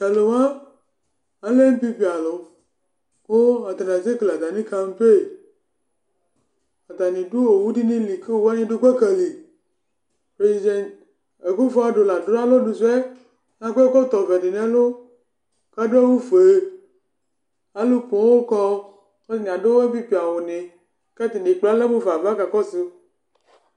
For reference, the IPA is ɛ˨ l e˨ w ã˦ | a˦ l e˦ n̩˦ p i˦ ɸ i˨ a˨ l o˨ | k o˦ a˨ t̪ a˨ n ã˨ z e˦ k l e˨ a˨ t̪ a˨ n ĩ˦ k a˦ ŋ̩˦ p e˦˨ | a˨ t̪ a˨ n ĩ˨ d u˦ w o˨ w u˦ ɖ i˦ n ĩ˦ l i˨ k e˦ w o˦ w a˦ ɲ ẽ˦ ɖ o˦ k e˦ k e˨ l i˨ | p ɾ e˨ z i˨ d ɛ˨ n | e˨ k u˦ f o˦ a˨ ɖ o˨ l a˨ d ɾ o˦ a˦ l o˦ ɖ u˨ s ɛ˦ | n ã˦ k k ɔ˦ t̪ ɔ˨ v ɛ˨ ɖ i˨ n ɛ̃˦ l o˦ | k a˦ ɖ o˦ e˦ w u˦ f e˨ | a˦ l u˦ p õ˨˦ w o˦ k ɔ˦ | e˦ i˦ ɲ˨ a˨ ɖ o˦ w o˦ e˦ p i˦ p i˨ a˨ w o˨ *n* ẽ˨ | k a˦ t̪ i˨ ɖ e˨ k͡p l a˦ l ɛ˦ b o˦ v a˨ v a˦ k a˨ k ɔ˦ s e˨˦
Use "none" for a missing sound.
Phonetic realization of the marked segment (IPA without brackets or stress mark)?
n